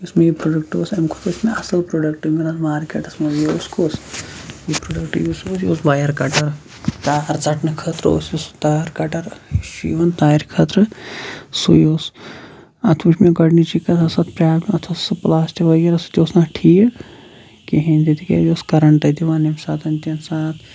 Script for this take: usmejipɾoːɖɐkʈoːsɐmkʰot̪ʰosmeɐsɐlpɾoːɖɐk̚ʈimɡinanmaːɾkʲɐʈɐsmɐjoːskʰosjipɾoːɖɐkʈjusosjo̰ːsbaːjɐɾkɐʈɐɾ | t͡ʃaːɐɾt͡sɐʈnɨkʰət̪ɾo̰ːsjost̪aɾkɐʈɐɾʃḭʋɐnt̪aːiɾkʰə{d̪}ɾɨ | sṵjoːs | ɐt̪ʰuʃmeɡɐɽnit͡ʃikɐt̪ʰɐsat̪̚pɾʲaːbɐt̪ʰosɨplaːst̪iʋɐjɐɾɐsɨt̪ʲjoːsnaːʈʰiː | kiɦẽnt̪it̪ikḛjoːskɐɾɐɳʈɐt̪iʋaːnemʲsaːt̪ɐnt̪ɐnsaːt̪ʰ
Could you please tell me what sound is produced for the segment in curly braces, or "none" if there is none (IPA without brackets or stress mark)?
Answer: t̪